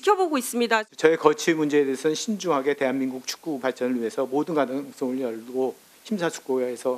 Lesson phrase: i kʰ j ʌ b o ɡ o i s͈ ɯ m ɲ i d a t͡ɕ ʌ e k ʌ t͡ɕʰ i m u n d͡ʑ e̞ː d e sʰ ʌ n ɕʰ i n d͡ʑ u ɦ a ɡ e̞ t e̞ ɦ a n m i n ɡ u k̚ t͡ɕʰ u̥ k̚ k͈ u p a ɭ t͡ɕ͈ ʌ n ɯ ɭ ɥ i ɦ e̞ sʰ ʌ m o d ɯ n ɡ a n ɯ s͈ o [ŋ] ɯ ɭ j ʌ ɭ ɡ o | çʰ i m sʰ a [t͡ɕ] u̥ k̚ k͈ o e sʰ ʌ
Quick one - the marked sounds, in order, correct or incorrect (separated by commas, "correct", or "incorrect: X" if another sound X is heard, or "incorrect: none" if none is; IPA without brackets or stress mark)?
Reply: correct, incorrect: t͡ɕʰ